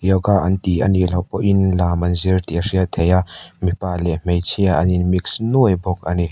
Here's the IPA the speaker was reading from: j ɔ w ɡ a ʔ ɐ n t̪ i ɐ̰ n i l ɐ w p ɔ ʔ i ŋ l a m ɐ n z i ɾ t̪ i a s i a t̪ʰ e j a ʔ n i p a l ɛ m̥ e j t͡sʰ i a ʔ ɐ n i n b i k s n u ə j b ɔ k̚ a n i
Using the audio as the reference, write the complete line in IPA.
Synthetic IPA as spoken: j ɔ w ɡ a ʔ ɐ n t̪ i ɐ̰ n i l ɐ w p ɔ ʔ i n l a m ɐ n z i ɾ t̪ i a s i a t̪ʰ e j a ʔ m i p a l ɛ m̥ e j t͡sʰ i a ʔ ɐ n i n m i k s n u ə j b ɔ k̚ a n i

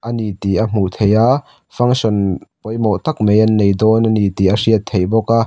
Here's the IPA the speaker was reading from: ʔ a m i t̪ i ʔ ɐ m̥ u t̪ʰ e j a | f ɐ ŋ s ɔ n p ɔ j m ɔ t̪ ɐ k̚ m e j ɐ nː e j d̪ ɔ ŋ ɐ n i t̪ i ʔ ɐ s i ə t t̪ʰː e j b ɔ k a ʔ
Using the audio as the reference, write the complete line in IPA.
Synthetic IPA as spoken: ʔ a n i t̪ i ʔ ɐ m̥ u t̪ʰ e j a | f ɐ ŋ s ɔ n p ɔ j m ɔ t̪ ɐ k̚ m e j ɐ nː e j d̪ ɔ n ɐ n i t̪ i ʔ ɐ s i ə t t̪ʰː e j b ɔ k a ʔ

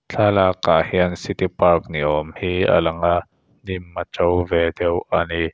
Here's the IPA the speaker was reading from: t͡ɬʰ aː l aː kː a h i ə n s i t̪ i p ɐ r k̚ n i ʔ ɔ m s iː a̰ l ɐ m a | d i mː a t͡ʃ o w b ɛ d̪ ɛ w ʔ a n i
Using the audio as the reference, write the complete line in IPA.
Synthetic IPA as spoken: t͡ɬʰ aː l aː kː a h i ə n s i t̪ i p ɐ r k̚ n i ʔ ɔ m h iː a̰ l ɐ ŋ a | n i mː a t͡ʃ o w v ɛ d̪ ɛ w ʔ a n i

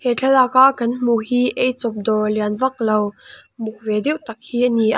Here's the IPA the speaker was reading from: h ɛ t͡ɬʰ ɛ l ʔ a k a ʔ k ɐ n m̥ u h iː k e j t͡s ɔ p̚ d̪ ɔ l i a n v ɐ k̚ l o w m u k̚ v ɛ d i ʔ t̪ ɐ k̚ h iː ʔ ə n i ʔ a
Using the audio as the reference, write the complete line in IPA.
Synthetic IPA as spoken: h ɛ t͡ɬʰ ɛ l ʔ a k a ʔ k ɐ n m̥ u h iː ʔ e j t͡s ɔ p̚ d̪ ɔ l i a n v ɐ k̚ l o w m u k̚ v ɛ d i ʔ t̪ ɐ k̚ h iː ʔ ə n i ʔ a

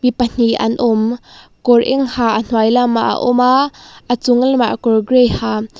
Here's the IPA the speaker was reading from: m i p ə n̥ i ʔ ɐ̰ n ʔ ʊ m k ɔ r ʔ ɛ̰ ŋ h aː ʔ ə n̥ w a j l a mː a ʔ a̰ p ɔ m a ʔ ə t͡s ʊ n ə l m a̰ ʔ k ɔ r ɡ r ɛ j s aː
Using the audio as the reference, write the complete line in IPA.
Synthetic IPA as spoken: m i p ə n̥ i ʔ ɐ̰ n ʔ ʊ m k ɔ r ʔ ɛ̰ ŋ h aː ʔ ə n̥ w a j l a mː a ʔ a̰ ʔ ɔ m a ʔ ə t͡s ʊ ŋ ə l m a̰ ʔ k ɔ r ɡ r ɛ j h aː

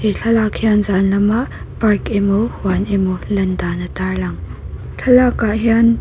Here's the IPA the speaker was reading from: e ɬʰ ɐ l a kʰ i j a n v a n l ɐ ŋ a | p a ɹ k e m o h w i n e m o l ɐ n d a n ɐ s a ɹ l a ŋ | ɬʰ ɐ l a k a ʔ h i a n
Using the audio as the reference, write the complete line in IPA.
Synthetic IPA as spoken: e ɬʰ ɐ l a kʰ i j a n z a n l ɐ m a | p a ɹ k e m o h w a n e m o l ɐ n d a n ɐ t a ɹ l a ŋ | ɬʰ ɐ l a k a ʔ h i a n

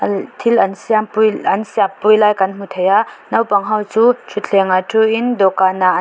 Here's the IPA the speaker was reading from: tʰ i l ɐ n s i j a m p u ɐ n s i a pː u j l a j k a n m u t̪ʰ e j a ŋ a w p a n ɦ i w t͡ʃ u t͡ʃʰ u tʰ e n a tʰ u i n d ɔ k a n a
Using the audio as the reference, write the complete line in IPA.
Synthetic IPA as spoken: tʰ i l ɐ n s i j a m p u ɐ n s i a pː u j l a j k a n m u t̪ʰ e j a n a w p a ŋ ɦ a w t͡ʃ u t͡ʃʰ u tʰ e ŋ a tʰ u i n d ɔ k a n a

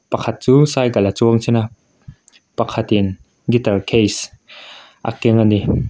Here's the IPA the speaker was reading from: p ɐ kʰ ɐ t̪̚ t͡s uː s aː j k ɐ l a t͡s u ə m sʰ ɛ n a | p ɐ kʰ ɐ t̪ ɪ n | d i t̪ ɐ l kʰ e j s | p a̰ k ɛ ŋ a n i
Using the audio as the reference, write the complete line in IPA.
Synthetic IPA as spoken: p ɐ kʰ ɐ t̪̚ t͡s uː s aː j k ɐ l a t͡s u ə ŋ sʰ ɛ n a | p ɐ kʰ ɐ t̪ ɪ n | ɡ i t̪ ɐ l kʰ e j s | ʔ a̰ k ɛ ŋ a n i

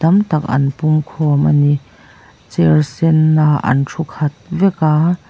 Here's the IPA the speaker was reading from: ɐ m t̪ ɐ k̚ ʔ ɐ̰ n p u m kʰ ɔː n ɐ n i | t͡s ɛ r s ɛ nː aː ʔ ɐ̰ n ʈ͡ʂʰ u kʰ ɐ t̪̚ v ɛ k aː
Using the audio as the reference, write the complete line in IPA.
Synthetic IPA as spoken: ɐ m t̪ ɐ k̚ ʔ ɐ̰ n p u m kʰ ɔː m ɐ n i | t͡s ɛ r s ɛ nː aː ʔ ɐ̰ n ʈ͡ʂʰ u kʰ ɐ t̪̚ v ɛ k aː

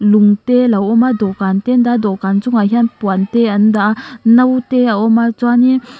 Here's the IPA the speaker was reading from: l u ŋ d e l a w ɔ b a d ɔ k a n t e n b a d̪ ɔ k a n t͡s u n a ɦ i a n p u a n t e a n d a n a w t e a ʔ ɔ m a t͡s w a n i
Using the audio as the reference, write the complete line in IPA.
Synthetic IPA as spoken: l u ŋ t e l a w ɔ m a d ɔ k a n t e n d a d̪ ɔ k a n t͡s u ŋ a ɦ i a n p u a n t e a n d a n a w t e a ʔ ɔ m a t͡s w a n i

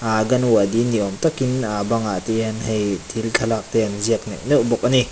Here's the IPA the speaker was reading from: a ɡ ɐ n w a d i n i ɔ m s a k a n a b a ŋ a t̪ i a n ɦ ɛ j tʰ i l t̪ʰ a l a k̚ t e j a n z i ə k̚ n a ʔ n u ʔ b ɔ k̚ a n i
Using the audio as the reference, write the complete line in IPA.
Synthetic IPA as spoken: a ɡ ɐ n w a d i n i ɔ m t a k i n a b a ŋ a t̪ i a n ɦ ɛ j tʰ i l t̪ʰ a l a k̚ t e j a n z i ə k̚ n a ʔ n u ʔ b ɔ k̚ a n i

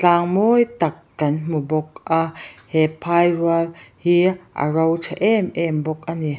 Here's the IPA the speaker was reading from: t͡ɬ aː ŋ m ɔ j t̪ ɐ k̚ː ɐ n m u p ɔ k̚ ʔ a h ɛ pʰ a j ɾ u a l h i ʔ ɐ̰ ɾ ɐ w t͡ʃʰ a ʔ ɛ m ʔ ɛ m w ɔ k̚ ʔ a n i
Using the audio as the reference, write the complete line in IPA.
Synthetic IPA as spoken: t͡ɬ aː ŋ m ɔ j t̪ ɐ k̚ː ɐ n m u b ɔ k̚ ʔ a h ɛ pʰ a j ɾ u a l h i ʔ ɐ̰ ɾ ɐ w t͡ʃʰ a ʔ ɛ m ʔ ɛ m b ɔ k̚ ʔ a n i

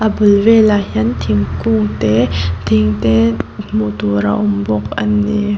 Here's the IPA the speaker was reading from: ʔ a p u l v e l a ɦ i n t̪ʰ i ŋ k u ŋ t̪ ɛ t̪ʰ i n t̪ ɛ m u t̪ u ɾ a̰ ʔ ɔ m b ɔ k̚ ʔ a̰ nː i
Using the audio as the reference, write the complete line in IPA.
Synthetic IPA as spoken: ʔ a b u l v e l a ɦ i n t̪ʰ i ŋ k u ŋ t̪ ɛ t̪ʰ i ŋ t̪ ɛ m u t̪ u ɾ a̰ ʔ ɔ m b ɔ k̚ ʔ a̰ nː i

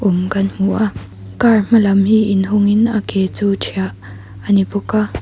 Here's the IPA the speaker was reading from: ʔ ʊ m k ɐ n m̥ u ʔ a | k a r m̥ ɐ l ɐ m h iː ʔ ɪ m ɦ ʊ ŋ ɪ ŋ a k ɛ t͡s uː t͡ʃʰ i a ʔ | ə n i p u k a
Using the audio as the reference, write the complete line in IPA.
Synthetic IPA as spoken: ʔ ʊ m k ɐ n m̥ u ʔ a | k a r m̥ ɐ l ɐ m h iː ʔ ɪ n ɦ ʊ ŋ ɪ n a k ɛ t͡s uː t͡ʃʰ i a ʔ | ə n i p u k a

